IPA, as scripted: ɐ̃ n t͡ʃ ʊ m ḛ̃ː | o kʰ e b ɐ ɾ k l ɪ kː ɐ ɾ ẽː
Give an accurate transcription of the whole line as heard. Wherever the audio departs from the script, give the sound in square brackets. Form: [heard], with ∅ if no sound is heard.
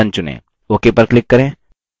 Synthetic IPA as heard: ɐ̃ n t͡ʃ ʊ [n] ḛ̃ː | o [k] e [p] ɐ ɾ k l ɪ kː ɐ ɾ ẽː